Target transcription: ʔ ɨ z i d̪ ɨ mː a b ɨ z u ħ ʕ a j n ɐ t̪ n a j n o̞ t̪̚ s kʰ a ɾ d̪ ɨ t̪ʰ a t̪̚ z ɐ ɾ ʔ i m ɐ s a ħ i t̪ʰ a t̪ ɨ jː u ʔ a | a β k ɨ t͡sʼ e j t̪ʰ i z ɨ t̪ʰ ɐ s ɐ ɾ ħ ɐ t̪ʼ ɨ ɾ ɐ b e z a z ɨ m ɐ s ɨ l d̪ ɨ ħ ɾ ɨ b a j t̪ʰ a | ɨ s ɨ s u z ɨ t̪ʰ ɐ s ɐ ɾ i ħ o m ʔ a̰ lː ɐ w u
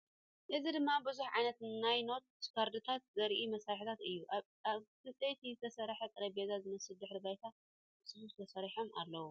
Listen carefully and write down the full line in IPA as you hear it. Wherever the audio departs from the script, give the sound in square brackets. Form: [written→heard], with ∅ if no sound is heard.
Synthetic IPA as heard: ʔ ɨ z i d̪ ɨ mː a b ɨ z u ħ ʕ a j n ɐ t̪ n a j n o̞ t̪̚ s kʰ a ɾ d̪ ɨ t̪ʰ a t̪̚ z ɐ ɾ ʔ i m ɐ s a ħ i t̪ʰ a t̪ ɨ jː u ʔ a | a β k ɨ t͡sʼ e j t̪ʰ i z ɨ t̪ʰ ɐ s ɐ ɾ ħ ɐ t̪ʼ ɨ ɾ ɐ b e z a z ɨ m ɐ s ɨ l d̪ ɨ ħ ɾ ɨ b a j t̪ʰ a | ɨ s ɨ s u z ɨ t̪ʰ ɐ s ɐ ɾ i ħ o m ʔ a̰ lː ɐ w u

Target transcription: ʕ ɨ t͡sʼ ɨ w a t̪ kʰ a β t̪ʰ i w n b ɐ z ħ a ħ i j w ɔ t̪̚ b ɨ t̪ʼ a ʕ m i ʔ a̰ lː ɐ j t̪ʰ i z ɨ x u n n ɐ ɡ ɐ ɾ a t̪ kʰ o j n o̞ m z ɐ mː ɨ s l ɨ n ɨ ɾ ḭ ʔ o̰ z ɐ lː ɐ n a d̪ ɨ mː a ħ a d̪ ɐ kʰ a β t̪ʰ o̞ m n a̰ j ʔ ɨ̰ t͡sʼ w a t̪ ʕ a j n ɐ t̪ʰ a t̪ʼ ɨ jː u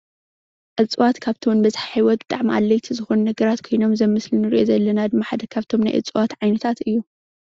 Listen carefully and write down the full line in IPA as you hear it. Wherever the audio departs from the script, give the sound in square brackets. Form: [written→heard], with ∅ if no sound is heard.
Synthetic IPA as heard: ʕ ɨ t͡sʼ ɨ w a t̪ kʰ a β t̪ʰ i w n b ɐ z ħ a ħ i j w ɔ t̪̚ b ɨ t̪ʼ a ʕ m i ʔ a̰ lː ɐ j t̪ʰ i z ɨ x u n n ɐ ɡ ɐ ɾ a t̪ kʰ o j n o̞ m z ɐ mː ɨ s l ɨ n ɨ ɾ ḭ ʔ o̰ z ɐ lː ɐ n a d̪ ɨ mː a ħ a d̪ ɐ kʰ a β t̪ʰ o̞ m n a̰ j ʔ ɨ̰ t͡sʼ w a t̪ ʕ a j n ɐ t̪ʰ a [t̪ʼ→t̪] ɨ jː u

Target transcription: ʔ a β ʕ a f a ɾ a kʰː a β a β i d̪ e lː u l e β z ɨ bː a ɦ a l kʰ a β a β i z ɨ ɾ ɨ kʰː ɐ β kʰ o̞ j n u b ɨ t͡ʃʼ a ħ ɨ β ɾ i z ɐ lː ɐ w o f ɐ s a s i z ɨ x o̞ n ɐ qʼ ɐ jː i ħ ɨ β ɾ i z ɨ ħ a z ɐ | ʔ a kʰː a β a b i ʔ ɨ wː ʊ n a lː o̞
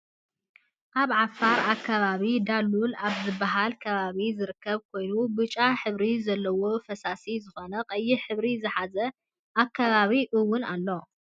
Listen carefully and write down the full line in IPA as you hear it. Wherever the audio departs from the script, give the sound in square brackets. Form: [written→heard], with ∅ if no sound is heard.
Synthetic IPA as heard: ʔ a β ʕ a f a ɾ a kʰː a β a β i d̪ [e→a] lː u l [e→a] β z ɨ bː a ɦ a l kʰ [a→ɐ] β a β i z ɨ ɾ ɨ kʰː ɐ β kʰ o̞ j n u b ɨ t͡ʃʼ a ħ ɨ β ɾ i z ɐ lː ɐ w o f ɐ s a s i z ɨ x o̞ n ɐ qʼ ɐ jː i ħ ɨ β ɾ i z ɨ ħ a z ɐ | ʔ a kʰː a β a [b→β] i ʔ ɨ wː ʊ n a lː o̞

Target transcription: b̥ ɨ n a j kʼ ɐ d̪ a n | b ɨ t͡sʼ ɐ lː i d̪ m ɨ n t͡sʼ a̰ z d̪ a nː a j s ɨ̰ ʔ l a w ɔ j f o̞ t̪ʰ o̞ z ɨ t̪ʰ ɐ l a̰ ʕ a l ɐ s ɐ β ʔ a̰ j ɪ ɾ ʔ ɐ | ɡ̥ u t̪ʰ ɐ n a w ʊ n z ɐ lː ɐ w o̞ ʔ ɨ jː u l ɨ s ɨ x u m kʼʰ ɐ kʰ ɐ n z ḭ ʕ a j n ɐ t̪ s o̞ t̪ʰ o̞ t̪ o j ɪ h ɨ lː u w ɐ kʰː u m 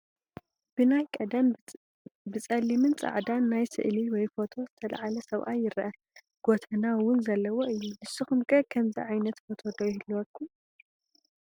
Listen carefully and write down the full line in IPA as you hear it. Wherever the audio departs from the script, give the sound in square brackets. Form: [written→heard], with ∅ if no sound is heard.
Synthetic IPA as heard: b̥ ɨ n a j kʼ ɐ d̪ a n | b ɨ t͡sʼ ɐ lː i [d̪→∅] m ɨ n t͡sʼ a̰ [z→ʕ] d̪ a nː a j s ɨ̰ ʔ l [a→i] w ɔ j f o̞ t̪ʰ o̞ z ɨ t̪ʰ ɐ l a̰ ʕ a l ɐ s ɐ β ʔ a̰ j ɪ ɾ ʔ ɐ | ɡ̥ [u→o] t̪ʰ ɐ n a w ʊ n z ɐ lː ɐ w o̞ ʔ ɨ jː u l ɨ s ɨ x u m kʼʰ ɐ kʰ ɐ [n→m] z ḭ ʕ a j n ɐ t̪ [s→f] o̞ t̪ʰ o̞ [t̪→d̪] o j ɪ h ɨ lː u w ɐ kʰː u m

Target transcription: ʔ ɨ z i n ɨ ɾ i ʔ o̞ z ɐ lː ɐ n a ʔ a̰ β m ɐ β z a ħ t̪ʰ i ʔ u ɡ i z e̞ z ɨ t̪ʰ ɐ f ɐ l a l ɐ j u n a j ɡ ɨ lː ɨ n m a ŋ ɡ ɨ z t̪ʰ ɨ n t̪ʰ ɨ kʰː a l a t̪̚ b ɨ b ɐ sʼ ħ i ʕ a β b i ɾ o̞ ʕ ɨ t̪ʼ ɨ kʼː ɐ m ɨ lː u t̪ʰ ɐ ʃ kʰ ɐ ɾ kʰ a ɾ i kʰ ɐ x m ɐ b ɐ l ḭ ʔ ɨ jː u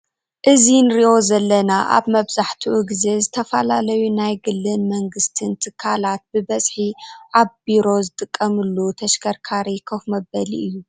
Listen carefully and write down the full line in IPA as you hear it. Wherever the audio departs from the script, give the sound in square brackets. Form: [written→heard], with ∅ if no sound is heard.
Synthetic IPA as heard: ʔ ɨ z i n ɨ ɾ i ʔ o̞ z ɐ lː ɐ n a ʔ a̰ β m ɐ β z a ħ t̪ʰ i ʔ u ɡ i z e̞ z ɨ t̪ʰ ɐ f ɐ l a l ɐ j u n a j ɡ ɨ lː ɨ n m [a→ɐ] ŋ ɡ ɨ [z→s] t̪ʰ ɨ n t̪ʰ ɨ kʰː a l a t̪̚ b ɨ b ɐ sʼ ħ i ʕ a β b i ɾ o̞ [ʕ→z] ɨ t̪ʼ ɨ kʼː ɐ m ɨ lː u t̪ʰ ɐ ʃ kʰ ɐ ɾ kʰ a ɾ i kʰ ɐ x m ɐ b ɐ l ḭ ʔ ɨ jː u

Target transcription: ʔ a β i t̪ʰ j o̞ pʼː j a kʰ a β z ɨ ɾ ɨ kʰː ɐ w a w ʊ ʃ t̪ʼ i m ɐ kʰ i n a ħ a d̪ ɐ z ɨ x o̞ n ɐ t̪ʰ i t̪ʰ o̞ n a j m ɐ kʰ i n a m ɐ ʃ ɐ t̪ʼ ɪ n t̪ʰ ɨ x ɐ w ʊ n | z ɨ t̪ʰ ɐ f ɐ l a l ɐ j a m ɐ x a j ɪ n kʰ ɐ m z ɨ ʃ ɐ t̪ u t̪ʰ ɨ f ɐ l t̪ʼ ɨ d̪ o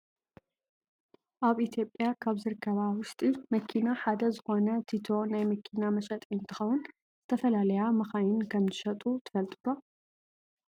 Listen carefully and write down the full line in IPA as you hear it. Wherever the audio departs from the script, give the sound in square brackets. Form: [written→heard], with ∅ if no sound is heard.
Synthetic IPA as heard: ʔ a β i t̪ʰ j o̞ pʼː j a kʰ a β z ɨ ɾ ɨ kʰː ɐ [w→β] a w ʊ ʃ t̪ʼ i m ɐ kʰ i n a ħ a d̪ ɐ z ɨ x o̞ n ɐ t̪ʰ i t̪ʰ o̞ n a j m ɐ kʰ i n a m ɐ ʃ ɐ t̪ʼ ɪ n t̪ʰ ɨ x ɐ w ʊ n | z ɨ t̪ʰ ɐ f ɐ l a l ɐ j a m ɐ x a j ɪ n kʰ ɐ m z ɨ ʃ ɐ [t̪→t̪ʼ] u t̪ʰ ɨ f ɐ l t̪ʼ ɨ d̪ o

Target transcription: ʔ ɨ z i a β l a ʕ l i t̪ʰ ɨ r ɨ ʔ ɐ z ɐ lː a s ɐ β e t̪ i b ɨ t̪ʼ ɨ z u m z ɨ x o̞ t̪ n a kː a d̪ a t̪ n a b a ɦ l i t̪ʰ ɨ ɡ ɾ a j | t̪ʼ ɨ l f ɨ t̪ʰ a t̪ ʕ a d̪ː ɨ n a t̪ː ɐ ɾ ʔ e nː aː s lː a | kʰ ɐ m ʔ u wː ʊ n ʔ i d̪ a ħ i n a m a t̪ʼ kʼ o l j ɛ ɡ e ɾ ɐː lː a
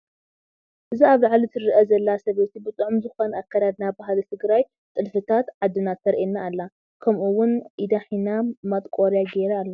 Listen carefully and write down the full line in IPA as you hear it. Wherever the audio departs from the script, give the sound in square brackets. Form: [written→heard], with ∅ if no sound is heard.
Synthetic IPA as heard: ʔ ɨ z i a β l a ʕ l i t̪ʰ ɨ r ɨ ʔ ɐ z ɐ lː a s ɐ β e t̪ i b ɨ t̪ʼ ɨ [z→ʕ] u m z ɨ x o̞ [t̪→∅] n a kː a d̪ a [t̪→d̪] n a b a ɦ l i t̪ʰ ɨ ɡ ɾ a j | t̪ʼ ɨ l f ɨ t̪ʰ a t̪ ʕ a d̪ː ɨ n a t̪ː ɐ ɾ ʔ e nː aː [s→∅] lː a | kʰ ɐ m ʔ u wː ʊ n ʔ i d̪ a ħ i n a m a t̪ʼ kʼ o [l→ɾ] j [ɛ→a] ɡ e ɾ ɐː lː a

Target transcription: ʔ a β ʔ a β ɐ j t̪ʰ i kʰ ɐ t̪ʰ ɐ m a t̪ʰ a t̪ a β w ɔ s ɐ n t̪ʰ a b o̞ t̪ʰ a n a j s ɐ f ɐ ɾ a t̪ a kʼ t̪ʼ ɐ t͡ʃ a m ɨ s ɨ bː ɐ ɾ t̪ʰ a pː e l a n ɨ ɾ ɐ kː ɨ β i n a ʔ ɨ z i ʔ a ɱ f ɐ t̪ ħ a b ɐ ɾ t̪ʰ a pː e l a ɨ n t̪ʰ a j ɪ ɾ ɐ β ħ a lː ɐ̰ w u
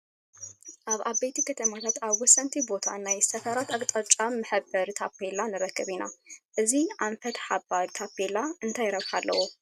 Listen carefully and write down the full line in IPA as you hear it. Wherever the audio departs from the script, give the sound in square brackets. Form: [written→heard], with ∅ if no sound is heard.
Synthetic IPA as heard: ʔ a β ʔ a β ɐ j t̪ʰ i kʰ ɐ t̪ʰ ɐ m a t̪ʰ a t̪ a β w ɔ s ɐ n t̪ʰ [a→i] b o̞ t̪ʰ a n a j s ɐ f ɐ ɾ a t̪ a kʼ t̪ʼ ɐ [t͡ʃ→t͡ʃʼ] a m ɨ [s→ħ] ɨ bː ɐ ɾ t̪ʰ a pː e l a n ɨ ɾ ɐ kː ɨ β i n a ʔ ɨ z i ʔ a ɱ f ɐ t̪ ħ a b [ɐ→a] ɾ t̪ʰ a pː e l a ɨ n t̪ʰ a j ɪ ɾ ɐ β ħ a lː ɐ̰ w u

